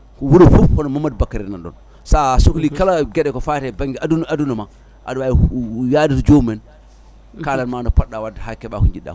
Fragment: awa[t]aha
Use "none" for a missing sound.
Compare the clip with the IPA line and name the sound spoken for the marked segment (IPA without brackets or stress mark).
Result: d